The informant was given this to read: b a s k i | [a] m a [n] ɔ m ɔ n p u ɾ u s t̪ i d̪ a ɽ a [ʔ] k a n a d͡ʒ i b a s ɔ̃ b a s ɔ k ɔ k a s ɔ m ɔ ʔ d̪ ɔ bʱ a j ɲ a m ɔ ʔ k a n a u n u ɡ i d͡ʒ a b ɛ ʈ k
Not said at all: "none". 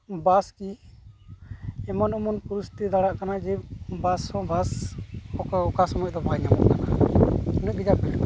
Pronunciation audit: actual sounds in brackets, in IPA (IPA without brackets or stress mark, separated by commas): ɛ, n, ʔ